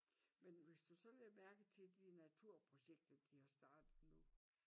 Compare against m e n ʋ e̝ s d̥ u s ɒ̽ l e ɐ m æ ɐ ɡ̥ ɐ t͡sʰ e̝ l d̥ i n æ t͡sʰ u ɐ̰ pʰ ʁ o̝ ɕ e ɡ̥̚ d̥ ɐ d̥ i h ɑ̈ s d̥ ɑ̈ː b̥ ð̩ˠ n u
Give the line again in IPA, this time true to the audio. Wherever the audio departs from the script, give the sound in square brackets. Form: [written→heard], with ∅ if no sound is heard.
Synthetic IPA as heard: m e n ʋ e̝ s d̥ u s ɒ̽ l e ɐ m æ ɐ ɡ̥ [ɐ→ə] t͡sʰ e̝ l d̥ i n æ t͡sʰ u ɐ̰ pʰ ʁ o̝ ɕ e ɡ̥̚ d̥ ɐ d̥ i h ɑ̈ s d̥ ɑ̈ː [b̥→d̥] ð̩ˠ n u